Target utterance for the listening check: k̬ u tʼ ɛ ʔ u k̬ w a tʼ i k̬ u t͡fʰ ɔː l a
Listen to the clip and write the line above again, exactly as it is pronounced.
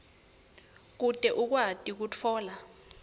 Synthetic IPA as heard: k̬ u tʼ ɛ ʔ u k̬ w a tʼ i k̬ u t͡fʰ ɔː l a

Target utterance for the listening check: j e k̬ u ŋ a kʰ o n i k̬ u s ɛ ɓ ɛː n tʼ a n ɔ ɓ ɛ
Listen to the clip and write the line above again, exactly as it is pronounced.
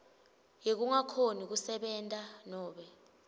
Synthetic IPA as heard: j e k̬ u ŋ a kʰ o n i k̬ u s ɛ ɓ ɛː n tʼ a n ɔː ɓ ɛ

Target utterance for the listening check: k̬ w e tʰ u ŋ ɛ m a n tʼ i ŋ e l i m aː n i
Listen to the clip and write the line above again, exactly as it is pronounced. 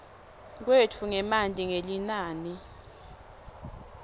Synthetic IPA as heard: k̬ w e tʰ u ŋ ɛ m a n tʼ i ŋ e l i n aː n i

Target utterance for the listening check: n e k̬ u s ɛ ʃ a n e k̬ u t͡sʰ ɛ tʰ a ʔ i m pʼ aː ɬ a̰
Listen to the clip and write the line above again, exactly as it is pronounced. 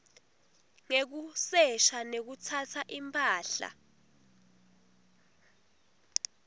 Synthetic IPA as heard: ŋ e k̬ u s ɛ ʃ a n e k̬ u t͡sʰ a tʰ a ʔ i m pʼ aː ɬ a̰

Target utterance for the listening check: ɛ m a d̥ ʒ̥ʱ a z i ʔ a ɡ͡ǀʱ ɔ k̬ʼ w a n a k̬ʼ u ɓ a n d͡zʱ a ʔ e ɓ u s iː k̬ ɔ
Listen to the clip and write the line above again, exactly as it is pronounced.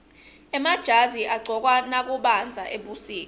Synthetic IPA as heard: ɛ m a d̥ ʒ̥ʱ a z i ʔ a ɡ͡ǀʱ ɔ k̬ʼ w a n a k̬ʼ u ɓ a n d͡zʱ a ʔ e ɓ u s iː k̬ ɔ

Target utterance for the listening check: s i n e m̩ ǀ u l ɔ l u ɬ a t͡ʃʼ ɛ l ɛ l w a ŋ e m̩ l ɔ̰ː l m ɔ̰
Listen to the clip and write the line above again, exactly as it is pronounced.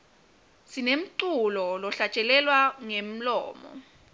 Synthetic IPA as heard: s i n e m̩ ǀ u l ɔ l ɔ ɬ a t͡ʃʼ ɛ l ɛ l w a ŋ e m̩ l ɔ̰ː m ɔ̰

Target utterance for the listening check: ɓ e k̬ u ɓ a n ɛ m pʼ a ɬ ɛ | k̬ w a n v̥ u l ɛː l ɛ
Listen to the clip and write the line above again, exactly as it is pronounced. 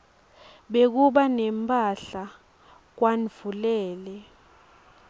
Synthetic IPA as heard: ɓ e k̬ u ɓ a n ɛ m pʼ a ɬ a | k̬ w a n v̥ u l ɛː l ɛ

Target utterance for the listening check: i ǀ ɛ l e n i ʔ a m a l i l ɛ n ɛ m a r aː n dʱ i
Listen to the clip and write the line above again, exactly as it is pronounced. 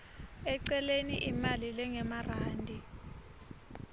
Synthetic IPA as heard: ɛ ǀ ɛ l e n i ʔ i m a l i l ɛ ŋ ɛ m a r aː n dʱ i

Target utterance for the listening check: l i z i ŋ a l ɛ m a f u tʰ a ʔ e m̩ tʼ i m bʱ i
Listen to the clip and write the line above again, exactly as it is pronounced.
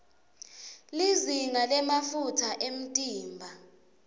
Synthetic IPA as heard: l i z i ŋ a l ɛ m a f u tʰ a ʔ e m̩ tʼ iː m bʱ a

